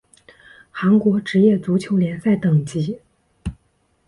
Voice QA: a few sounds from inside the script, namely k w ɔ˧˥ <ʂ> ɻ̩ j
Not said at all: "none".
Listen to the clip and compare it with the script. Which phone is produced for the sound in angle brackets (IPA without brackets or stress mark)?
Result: ʈ͡ʂ